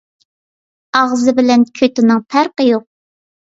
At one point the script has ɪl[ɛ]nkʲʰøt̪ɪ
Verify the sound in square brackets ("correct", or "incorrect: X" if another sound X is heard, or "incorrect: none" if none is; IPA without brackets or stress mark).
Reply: correct